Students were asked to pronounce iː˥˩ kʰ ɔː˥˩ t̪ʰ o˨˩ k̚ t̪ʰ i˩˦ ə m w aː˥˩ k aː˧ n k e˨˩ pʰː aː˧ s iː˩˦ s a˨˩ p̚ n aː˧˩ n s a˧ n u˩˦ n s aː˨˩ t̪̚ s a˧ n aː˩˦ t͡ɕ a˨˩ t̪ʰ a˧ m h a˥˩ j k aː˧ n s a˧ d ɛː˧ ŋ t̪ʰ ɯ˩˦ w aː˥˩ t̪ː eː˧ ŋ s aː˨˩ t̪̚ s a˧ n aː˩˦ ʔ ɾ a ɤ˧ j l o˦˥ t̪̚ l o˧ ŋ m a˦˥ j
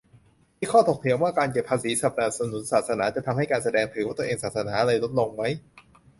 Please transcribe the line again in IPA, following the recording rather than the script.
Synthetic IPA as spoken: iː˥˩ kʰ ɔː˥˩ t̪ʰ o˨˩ k̚ t̪ʰ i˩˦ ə m w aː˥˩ k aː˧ n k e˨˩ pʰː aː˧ s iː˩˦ s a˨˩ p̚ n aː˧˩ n s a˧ n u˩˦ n s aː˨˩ t̪̚ s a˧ n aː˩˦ t͡ɕ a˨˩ t̪ʰ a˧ m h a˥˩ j k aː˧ n s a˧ d ɛː˧ ŋ t̪ʰ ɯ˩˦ w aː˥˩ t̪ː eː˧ ŋ s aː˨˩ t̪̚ s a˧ n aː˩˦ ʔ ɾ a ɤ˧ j l o˦˥ t̪̚ l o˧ ŋ m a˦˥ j